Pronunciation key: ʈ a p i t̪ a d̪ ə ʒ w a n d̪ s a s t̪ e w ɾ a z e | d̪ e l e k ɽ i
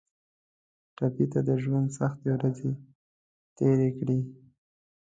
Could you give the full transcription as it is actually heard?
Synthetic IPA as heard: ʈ a p i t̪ a d̪ ə ʒ w a n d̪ s a x t̪ e w ɾ a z e | t̪ e ɾ e k ɽ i